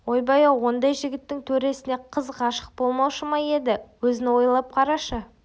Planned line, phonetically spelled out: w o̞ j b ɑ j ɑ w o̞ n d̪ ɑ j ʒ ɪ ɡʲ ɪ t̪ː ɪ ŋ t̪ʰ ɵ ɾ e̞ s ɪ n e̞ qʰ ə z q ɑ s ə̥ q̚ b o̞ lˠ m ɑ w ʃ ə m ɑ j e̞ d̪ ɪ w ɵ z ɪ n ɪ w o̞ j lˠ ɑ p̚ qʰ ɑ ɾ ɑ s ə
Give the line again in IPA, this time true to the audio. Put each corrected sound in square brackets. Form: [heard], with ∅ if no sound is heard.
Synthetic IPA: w o̞ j b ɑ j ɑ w o̞ n d̪ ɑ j ʒ ɪ ɡʲ ɪ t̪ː ɪ ŋ t̪ʰ ɵ ɾ e̞ s ɪ n e̞ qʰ ə z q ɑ [ʃ] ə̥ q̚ b o̞ lˠ m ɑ w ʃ ə m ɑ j e̞ d̪ ɪ w ɵ z ɪ n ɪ w o̞ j lˠ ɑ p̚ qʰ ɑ ɾ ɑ [ʃ] ə

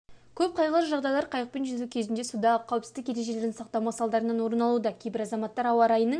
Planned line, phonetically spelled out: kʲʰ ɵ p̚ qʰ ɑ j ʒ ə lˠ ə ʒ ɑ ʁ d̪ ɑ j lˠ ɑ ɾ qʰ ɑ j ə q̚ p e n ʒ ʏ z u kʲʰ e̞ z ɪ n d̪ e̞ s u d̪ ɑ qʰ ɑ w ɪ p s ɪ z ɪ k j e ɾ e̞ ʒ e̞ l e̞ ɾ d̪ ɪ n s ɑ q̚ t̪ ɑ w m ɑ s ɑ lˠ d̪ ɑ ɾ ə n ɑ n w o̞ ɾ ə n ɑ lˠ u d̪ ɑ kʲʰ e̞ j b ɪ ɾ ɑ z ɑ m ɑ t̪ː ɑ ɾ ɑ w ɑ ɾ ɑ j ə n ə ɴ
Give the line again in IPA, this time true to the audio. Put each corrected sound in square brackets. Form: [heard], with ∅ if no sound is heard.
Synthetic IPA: kʲʰ ɵ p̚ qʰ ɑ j [ʁ] ə lˠ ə ʒ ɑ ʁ d̪ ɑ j lˠ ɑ ɾ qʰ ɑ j ə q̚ p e n ʒ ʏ z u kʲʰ e̞ z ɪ n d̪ e̞ s u d̪ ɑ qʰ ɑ w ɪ p s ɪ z ɪ k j e ɾ e̞ ʒ e̞ l e̞ ɾ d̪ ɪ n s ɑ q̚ t̪ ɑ w m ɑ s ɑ lˠ d̪ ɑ ɾ ə n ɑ n w o̞ ɾ ə n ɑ lˠ u d̪ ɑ kʲʰ e̞ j b ɪ ɾ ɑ z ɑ m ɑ t̪ː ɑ ɾ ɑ w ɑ ɾ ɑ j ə n ə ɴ

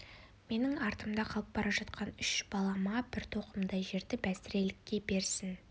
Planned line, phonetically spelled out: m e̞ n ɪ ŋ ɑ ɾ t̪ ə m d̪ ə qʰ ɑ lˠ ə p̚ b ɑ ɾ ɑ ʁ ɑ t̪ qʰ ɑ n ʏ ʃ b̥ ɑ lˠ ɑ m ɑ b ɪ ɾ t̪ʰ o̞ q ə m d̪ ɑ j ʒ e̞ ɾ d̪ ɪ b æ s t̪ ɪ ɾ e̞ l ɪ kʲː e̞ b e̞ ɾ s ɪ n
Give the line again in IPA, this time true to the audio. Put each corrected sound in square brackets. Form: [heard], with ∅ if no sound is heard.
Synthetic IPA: m e̞ n ɪ ŋ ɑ ɾ t̪ ə m d̪ [ɑ] qʰ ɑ lˠ ə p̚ b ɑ ɾ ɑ [ʒ] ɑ t̪ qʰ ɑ n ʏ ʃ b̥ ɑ lˠ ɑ m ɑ b ɪ ɾ t̪ʰ o̞ q ə m d̪ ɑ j ʒ e̞ ɾ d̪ ɪ b æ s t̪ ɪ ɾ e̞ l ɪ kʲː e̞ b e̞ ɾ s ɪ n

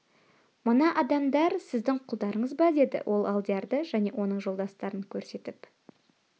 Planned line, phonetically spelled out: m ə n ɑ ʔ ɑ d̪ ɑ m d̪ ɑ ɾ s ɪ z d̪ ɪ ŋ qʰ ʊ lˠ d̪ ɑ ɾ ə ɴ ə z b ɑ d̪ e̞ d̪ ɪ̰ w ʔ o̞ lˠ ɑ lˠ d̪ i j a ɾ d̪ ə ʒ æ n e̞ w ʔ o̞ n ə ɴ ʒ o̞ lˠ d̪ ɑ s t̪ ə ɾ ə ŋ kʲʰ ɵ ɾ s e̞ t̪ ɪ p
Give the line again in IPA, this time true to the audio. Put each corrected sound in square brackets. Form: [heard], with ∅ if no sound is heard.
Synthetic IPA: m ə n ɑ ʔ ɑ d̪ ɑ m d̪ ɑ ɾ s ɪ z d̪ ɪ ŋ qʰ ʊ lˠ d̪ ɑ ɾ ə ɴ ə z b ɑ d̪ e̞ d̪ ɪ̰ w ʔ o̞ lˠ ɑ lˠ d̪ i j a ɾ d̪ ə ʒ æ n e̞ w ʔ o̞ n ə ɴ ʒ o̞ lˠ d̪ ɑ s t̪ [ɑ] ɾ ə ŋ kʲʰ ɵ ɾ s e̞ t̪ ɪ p

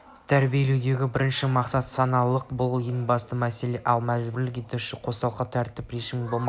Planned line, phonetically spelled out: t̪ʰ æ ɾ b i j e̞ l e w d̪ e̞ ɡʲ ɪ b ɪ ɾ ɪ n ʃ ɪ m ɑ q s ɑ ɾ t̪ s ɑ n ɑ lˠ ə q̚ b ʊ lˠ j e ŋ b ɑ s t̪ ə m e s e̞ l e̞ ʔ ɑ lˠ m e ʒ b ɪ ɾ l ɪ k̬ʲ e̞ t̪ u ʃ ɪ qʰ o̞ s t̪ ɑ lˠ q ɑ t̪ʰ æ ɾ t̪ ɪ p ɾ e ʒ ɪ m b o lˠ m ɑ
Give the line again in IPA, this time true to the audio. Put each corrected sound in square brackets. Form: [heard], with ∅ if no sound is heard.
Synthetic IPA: t̪ʰ æ ɾ b i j e̞ l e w d̪ e̞ ɡʲ ɪ b ɪ ɾ ɪ n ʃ ɪ m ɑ q s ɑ [∅] t̪ s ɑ n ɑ lˠ ə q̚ b ʊ lˠ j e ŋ b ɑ s t̪ ə m [æ] s e̞ l e̞ ʔ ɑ lˠ m [æ] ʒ b ɪ ɾ l ɪ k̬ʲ e̞ t̪ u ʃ ɪ qʰ o̞ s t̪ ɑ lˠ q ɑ t̪ʰ æ ɾ t̪ ɪ p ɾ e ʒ ɪ m b o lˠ m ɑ

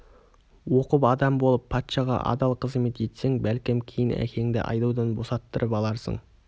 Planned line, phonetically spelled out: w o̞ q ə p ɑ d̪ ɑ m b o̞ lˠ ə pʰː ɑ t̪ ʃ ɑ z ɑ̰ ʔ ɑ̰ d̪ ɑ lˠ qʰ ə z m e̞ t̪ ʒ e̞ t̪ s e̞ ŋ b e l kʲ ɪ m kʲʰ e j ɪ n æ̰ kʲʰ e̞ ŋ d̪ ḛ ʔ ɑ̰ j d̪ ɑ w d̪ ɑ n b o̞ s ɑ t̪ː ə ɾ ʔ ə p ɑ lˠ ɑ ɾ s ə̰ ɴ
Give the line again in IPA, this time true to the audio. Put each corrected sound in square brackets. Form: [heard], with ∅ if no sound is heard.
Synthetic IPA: w o̞ q ə p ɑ d̪ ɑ m b o̞ lˠ ə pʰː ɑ t̪ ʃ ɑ [ʁ] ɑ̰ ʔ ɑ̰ d̪ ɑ lˠ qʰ ə z m e̞ t̪ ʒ e̞ t̪ s e̞ ŋ b [æ] l kʲ ɪ m kʲʰ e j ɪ n æ̰ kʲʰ e̞ ŋ d̪ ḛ ʔ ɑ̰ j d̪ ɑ w d̪ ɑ n b o̞ s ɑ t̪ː ə ɾ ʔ ə p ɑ lˠ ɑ ɾ s ə̰ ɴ

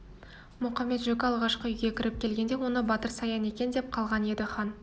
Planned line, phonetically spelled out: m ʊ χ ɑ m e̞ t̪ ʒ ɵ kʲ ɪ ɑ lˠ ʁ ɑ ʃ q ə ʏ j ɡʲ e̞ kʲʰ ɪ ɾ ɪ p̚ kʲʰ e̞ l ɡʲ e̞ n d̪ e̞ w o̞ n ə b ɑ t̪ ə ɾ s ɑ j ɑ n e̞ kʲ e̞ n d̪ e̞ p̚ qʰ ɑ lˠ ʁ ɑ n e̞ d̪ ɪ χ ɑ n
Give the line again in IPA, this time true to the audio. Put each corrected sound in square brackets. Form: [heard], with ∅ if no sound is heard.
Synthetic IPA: m ʊ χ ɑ m e̞ t̪ ʒ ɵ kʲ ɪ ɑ lˠ ʁ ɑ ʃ q ə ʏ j ɡʲ e̞ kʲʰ ɪ ɾ ɪ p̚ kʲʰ e̞ l ɡʲ e̞ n d̪ e̞ w o̞ n ə b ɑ t̪ ə ɾ s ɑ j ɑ n e̞ kʲ e̞ n d̪ e̞ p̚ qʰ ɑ lˠ ʁ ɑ n e̞ d̪ ɪ χ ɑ n

